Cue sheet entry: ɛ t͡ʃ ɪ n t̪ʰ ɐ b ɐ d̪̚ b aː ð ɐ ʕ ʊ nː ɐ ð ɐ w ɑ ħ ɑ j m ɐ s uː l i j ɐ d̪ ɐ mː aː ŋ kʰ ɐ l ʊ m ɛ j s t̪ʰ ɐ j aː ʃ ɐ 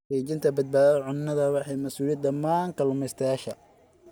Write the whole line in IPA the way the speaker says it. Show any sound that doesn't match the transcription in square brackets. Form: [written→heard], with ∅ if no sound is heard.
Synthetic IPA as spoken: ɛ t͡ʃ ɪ n t̪ʰ ɐ b ɐ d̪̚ b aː ð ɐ ʕ ʊ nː ɐ ð ɐ w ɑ ħ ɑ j m ɐ s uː l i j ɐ d̪ ɐ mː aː ŋ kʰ ɐ l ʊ m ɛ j s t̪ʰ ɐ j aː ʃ ɐ